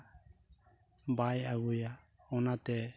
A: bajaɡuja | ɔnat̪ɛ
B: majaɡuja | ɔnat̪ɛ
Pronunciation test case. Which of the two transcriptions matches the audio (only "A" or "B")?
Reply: A